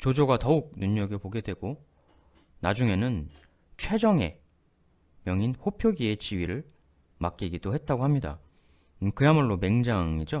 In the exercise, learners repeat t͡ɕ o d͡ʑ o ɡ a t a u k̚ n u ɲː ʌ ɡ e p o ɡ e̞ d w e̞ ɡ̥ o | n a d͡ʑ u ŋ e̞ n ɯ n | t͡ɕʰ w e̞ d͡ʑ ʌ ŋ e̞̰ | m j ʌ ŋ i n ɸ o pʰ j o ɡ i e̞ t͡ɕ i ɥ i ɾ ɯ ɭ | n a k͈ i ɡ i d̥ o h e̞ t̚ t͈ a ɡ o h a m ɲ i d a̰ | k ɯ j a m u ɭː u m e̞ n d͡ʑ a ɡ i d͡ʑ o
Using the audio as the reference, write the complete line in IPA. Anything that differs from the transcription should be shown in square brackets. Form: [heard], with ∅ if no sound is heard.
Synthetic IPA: t͡ɕ o d͡ʑ o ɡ a t [ʌ] u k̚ n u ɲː ʌ ɡ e p o ɡ e̞ d w e̞ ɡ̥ o | n a d͡ʑ u ŋ e̞ n ɯ n | t͡ɕʰ w e̞ d͡ʑ ʌ ŋ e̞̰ | m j ʌ ŋ i n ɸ o pʰ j o ɡ i e̞ t͡ɕ i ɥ i ɾ ɯ ɭ | [m] a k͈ i ɡ i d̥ o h e̞ t̚ t͈ a ɡ o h a m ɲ i d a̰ | k ɯ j a m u ɭː [o] m e̞ [ŋ] d͡ʑ a [ŋ] i d͡ʑ o